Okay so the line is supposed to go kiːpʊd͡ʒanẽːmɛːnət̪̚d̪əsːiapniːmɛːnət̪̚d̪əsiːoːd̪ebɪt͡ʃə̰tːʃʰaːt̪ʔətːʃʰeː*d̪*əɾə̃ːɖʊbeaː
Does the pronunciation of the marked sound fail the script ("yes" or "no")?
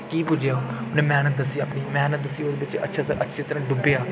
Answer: yes